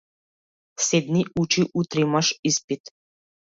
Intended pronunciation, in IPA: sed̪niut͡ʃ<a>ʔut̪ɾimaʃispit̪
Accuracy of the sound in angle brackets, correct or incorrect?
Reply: incorrect